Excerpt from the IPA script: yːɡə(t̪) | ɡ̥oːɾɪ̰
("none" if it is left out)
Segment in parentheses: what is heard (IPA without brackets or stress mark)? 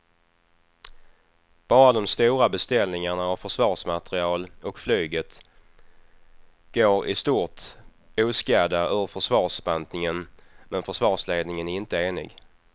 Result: t̪